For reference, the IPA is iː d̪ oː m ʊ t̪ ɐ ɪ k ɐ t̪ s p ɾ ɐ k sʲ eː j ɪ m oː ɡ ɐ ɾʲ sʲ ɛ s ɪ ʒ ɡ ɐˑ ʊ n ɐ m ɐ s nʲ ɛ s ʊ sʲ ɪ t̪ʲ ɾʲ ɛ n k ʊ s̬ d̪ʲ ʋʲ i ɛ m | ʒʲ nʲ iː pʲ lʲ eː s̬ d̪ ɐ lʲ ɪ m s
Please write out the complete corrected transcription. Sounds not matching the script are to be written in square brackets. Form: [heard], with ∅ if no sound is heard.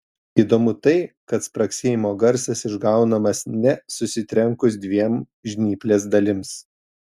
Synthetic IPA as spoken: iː d̪ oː m ʊ t̪ ɐ ɪ k ɐ t̪ s p ɾ ɐ k sʲ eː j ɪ m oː ɡ ɐ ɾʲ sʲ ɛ s ɪ ʒ ɡ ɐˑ ʊ n ɐ m ɐ s nʲ ɛ s ʊ sʲ ɪ t̪ʲ ɾʲ ɛ [ŋ] k ʊ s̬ d̪ʲ ʋʲ i ɛ m | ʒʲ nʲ iː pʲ lʲ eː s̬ d̪ ɐ lʲ ɪ m s